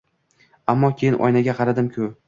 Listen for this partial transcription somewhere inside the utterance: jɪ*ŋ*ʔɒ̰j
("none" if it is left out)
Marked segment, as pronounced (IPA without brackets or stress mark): n